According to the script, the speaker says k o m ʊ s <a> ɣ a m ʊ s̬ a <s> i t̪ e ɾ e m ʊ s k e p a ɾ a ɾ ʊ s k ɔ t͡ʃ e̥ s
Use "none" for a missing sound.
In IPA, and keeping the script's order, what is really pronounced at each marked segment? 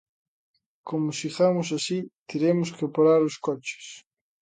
i, s

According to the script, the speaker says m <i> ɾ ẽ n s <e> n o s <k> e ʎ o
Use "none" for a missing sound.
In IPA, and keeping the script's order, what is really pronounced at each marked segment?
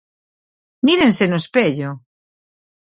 i, e, p

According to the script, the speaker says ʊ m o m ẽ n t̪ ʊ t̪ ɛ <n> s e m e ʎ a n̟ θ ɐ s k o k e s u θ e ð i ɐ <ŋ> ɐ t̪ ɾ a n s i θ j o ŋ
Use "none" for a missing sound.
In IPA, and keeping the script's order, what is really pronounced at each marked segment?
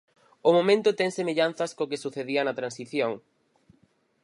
ŋ, n

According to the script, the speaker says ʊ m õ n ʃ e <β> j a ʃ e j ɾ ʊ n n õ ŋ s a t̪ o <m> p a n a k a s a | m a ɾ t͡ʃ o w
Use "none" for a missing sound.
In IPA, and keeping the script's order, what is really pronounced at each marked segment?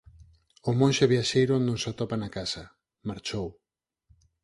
β, none

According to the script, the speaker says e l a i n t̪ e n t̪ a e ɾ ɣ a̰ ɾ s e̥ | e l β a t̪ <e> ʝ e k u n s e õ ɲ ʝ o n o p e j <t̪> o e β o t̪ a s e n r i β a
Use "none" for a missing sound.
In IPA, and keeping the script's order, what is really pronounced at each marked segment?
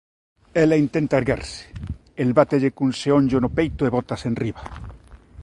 e, t̪

